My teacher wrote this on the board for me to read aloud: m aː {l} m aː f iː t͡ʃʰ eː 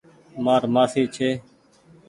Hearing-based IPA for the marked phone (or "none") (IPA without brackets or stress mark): ɾ